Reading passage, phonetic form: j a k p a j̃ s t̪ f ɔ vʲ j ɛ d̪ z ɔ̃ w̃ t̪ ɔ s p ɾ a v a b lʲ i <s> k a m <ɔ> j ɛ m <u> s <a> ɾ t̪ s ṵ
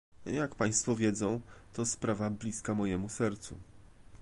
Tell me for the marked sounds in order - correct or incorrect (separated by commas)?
correct, correct, correct, incorrect